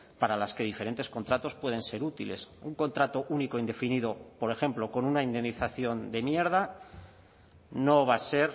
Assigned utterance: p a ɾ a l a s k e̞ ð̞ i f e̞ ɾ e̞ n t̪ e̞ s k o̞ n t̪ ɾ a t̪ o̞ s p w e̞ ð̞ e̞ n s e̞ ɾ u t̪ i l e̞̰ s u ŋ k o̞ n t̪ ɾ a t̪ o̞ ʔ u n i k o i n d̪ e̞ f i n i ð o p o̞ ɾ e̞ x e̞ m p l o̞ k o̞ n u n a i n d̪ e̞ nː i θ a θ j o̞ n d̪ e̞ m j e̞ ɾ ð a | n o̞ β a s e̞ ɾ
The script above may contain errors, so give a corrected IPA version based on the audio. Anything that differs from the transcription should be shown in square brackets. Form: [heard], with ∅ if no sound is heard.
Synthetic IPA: p a ɾ a l a s k e̞ ð̞ i f e̞ ɾ e̞ n t̪ e̞ s k o̞ n t̪ ɾ a t̪ o̞ s p w e̞ ð̞ e̞ n s e̞ ɾ u t̪ i l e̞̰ s u ŋ k o̞ n t̪ ɾ a t̪ o̞ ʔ u n i k o i n d̪ e̞ f i n i ð o p o̞ ɾ e̞ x e̞ m p l o̞ k o̞ n u n a i n d̪ e̞ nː i θ a θ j o̞ n d̪ e̞ m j e̞ ɾ ð a | n o̞ β a s e̞ ɾ